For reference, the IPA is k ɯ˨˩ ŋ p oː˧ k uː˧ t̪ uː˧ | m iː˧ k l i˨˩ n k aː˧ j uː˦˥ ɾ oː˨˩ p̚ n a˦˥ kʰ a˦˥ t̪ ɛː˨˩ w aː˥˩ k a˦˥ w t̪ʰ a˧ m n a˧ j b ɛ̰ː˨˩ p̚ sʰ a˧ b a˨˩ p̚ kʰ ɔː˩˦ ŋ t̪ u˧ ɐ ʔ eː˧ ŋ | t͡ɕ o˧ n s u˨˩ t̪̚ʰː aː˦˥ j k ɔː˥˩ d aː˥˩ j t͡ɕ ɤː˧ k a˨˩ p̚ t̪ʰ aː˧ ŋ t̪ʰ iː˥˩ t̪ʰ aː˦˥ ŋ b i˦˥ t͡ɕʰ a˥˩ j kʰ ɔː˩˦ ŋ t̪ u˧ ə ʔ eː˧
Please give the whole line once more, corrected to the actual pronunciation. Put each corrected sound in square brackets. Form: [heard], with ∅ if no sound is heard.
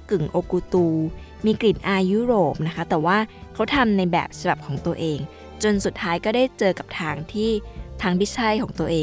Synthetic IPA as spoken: k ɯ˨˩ ŋ [ʔ] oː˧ k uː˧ t̪ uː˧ | m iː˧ k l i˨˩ n [ʔ] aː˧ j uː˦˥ ɾ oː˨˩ p̚ n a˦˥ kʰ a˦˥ t̪ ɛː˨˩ w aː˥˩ [kʰ] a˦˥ w t̪ʰ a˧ m n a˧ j b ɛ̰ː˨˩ p̚ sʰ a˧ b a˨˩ p̚ kʰ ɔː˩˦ ŋ t̪ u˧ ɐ ʔ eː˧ ŋ | t͡ɕ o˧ n s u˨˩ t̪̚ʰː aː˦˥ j k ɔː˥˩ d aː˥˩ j t͡ɕ ɤː˧ k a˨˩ p̚ t̪ʰ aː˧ ŋ t̪ʰ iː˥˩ t̪ʰ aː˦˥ ŋ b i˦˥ t͡ɕʰ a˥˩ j kʰ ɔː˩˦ ŋ t̪ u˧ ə ʔ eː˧